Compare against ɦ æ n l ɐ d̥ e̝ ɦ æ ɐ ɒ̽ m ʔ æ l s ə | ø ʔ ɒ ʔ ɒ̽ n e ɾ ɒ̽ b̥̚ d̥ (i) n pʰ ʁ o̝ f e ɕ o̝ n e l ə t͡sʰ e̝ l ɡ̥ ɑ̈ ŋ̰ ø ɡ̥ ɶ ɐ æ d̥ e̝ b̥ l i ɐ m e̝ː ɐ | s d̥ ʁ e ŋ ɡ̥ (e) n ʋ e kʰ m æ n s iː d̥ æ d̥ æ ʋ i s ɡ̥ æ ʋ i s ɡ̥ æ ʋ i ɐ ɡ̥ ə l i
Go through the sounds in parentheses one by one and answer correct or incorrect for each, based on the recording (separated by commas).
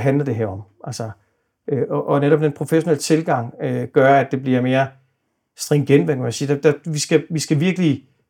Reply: incorrect, correct